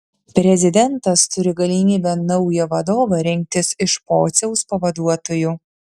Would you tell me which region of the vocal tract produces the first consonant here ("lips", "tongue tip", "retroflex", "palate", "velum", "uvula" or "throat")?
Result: lips